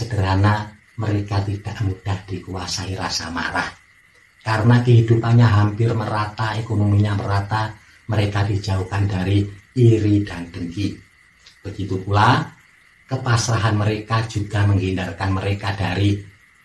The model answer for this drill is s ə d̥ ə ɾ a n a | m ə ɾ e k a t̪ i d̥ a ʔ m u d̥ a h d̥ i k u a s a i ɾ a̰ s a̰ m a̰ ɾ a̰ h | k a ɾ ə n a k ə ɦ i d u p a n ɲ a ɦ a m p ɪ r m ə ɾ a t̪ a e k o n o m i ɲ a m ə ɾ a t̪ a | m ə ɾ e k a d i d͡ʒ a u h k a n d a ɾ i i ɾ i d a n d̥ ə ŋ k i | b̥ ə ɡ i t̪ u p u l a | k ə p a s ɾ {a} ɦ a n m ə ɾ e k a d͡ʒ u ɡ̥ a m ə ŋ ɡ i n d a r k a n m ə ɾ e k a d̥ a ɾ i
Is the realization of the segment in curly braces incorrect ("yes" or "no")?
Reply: no